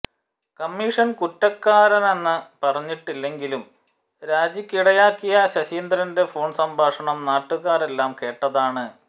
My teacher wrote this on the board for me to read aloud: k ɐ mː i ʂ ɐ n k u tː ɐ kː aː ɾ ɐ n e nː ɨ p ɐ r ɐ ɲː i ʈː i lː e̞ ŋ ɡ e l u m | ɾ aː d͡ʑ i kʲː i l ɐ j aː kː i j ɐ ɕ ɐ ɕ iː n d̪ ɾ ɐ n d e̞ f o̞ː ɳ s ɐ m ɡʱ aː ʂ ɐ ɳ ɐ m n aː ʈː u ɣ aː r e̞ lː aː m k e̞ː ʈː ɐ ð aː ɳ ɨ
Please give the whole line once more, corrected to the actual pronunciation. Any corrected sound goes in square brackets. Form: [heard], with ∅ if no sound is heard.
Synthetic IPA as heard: k ɐ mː i ʂ ɐ n k u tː ɐ kː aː ɾ ɐ n e nː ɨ p ɐ r ɐ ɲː i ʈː i lː e̞ ŋ ɡ [i] l u m | ɾ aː d͡ʑ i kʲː i [ɽ] ɐ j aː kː i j ɐ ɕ ɐ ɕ iː n d̪ ɾ ɐ n d e̞ f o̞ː ɳ s ɐ m [bʱ] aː ʂ ɐ ɳ ɐ m n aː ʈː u ɣ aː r e̞ lː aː m k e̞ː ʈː ɐ ð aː ɳ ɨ

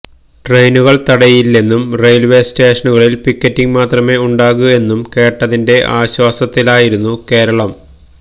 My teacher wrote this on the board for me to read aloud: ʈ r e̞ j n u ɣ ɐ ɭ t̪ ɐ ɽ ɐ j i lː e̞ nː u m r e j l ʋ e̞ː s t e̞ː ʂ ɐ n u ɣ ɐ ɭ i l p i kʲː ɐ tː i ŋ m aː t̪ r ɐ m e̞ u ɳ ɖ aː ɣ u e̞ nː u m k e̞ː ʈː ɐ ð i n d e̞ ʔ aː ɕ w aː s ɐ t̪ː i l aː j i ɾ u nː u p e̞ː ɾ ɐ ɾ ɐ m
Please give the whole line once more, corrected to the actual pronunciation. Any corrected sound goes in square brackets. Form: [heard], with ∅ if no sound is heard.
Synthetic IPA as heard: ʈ r e̞ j n u ɣ ɐ ɭ t̪ ɐ ɽ ɐ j i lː e̞ nː u m r e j l ʋ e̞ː s t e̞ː ʂ ɐ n u ɣ ɐ ɭ i l p i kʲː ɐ tː i ŋ m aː t̪ r ɐ m e̞ u ɳ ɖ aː ɣ u e̞ nː u m k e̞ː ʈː ɐ ð i n d e̞ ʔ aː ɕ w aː s ɐ t̪ː i l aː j i ɾ u nː u [k] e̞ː ɾ ɐ [ɭ] ɐ m

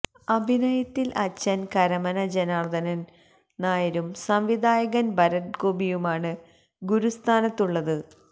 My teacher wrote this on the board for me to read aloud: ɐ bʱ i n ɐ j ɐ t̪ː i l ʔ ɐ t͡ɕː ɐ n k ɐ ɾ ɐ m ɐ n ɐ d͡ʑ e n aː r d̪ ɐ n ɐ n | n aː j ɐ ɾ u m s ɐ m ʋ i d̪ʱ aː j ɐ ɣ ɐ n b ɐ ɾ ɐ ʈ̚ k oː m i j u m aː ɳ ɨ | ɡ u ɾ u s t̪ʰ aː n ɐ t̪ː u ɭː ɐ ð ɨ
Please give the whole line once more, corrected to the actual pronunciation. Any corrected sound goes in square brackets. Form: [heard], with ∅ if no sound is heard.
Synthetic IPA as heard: ɐ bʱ i n ɐ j ɐ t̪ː i l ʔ ɐ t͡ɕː ɐ n k ɐ ɾ ɐ m ɐ n ɐ d͡ʑ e n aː r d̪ ɐ n ɐ n | n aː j ɐ ɾ u m s ɐ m ʋ i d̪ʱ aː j ɐ ɣ ɐ n b ɐ ɾ ɐ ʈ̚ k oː [b] i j u m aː ɳ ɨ | ɡ u ɾ u s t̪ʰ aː n ɐ t̪ː u ɭː ɐ ð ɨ

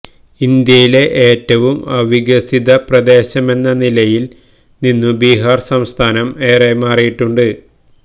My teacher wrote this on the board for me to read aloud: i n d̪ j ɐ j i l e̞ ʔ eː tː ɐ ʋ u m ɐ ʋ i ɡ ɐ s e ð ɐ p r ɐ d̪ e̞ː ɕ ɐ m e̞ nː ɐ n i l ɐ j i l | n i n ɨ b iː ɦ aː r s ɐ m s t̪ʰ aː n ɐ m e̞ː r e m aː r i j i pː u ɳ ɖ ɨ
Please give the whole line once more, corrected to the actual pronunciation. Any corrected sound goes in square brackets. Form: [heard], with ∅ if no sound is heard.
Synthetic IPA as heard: i n d̪ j ɐ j i l e̞ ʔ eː tː ɐ ʋ u m ɐ ʋ i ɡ ɐ s [i] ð ɐ p r ɐ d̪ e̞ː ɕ ɐ m e̞ nː ɐ n i l ɐ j i l | n i [nː] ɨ b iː ɦ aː r s ɐ m s t̪ʰ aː n ɐ m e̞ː r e m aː r i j i [ʈː] u ɳ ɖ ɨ

